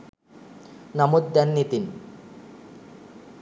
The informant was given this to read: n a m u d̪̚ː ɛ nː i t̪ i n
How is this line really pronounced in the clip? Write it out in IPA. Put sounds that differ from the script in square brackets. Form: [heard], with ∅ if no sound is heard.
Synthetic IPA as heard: n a m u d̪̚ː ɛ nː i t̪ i n